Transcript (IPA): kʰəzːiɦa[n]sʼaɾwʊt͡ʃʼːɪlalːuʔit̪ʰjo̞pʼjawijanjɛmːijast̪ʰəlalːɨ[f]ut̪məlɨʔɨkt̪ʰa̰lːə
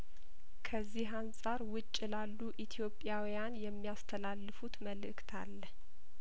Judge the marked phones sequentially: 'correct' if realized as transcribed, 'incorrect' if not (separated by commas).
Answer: correct, correct